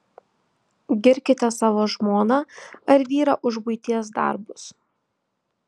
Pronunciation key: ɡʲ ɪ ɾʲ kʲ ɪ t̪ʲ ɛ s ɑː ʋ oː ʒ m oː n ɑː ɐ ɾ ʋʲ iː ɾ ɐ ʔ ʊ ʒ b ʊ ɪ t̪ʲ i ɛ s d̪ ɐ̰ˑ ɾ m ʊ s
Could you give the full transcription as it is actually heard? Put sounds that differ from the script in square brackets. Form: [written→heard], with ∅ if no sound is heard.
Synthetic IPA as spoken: ɡʲ ɪ ɾʲ kʲ ɪ t̪ʲ ɛ s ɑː ʋ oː ʒ m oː n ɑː ɐ ɾ ʋʲ iː ɾ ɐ ʔ ʊ ʒ b ʊ ɪ t̪ʲ i ɛ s d̪ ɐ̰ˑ ɾ [m→b] ʊ s